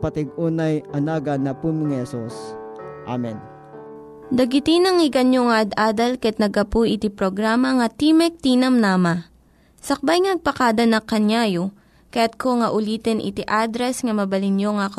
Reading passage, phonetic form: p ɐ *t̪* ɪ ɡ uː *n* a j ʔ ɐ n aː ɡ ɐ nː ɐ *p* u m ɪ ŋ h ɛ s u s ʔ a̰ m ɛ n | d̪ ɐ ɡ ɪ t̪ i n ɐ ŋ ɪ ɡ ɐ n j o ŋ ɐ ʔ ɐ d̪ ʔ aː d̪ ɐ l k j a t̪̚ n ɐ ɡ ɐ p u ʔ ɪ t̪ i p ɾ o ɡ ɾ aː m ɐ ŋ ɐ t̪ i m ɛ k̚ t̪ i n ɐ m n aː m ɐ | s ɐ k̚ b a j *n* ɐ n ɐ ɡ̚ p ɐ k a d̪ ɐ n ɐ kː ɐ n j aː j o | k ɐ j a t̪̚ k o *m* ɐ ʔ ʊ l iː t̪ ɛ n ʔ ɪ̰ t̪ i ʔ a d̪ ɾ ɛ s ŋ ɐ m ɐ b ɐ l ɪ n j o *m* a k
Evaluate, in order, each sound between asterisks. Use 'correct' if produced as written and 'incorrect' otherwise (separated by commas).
correct, correct, correct, incorrect, incorrect, incorrect